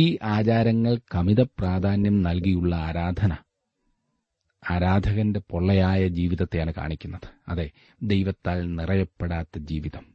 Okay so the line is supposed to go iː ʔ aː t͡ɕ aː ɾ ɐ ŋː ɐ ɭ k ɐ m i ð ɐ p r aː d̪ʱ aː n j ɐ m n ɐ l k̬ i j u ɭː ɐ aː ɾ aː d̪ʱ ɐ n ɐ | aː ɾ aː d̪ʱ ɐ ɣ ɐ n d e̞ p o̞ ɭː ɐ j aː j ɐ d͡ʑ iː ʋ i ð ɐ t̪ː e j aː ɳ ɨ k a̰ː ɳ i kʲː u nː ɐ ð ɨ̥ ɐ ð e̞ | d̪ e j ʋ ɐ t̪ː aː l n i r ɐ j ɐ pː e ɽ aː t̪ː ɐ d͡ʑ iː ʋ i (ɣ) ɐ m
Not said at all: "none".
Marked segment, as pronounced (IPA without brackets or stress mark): ð